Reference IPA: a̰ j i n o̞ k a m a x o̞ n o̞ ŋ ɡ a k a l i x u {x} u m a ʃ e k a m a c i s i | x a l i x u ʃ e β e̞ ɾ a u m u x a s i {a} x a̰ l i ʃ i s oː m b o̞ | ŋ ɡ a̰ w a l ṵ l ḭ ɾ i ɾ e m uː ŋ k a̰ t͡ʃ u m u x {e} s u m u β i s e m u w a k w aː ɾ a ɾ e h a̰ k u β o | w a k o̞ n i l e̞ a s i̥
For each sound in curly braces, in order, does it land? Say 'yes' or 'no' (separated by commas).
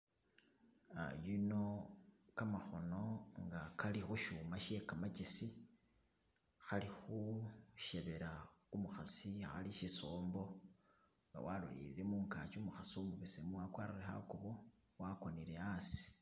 no, yes, no